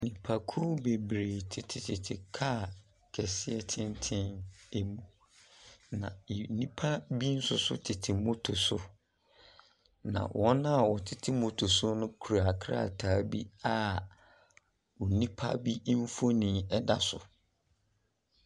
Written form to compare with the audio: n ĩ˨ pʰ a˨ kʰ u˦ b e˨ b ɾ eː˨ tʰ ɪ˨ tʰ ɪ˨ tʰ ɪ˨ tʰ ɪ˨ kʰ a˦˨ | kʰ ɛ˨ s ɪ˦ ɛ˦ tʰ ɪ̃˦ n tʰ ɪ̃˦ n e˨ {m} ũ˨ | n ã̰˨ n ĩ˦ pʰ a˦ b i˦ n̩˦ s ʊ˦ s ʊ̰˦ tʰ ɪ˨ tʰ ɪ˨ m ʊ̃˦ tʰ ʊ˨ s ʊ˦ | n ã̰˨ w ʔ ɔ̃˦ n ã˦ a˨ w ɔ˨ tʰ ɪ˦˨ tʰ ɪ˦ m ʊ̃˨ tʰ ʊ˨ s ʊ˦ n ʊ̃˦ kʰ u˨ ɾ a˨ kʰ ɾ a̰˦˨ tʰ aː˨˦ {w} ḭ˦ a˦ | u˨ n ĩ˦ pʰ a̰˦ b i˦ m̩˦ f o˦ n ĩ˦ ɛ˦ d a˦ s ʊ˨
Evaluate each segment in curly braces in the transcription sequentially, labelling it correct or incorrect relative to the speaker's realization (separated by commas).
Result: correct, incorrect